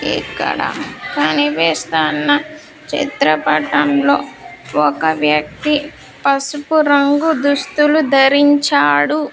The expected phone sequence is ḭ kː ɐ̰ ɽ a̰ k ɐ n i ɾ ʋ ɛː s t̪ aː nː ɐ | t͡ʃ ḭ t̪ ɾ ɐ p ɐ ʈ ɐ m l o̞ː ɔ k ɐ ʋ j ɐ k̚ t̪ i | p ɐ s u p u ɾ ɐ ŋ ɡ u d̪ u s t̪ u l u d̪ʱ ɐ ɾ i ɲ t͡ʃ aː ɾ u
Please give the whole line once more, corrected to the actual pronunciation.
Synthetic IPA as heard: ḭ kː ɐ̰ ɽ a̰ k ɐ n i ʋ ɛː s t̪ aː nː ɐ | t͡ʃ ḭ t̪ ɾ ɐ p ɐ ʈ ɐ m l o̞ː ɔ k ɐ ʋ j ɐ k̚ t̪ i | p ɐ s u p u ɾ ɐ ŋ ɡ u d̪ u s t̪ u l u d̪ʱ ɐ ɾ i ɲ t͡ʃ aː ɽ u